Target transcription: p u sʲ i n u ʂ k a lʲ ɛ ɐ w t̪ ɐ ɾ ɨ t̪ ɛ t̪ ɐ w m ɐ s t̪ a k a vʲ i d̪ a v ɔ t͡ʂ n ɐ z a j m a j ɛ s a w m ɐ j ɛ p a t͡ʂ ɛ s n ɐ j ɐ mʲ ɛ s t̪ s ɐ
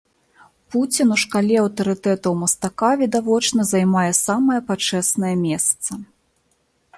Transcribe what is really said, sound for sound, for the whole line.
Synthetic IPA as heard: p u t͡sʲ i n u ʂ k a lʲ ɛ ɐ w t̪ ɐ ɾ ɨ t̪ ɛ t̪ ɐ w m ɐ s t̪ a k a vʲ i d̪ a v ɔ t͡ʂ n ɐ z a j m a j ɛ s a m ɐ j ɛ p a t͡ʂ ɛ s n ɐ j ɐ mʲ ɛ s t̪ s ɐ